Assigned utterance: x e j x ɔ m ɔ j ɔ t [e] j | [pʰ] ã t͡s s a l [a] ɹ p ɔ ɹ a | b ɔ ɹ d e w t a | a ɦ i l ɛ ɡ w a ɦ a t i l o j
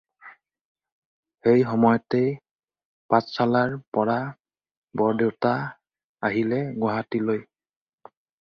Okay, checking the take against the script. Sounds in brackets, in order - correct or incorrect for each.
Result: correct, incorrect, correct

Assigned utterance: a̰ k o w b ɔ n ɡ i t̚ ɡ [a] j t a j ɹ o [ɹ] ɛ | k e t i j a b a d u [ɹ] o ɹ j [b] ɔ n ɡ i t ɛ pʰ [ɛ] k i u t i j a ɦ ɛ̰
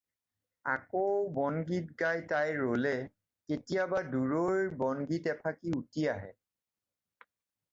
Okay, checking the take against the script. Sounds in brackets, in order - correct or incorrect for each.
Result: correct, incorrect, correct, correct, incorrect

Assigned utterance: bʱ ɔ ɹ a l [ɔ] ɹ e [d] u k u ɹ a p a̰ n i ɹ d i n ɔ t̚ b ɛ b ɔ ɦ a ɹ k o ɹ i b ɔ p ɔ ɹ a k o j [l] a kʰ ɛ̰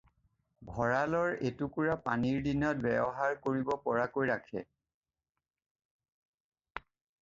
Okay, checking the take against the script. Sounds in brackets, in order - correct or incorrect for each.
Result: correct, incorrect, incorrect

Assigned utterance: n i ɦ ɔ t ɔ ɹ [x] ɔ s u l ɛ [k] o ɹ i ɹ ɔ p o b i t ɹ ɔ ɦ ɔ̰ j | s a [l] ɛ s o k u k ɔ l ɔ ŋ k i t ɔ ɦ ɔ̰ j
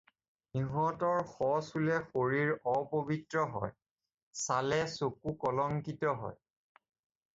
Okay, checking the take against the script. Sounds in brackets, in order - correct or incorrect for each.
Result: correct, incorrect, correct

